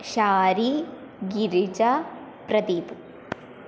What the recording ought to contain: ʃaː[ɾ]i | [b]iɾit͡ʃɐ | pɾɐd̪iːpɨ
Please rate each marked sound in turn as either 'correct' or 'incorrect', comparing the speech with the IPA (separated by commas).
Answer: correct, incorrect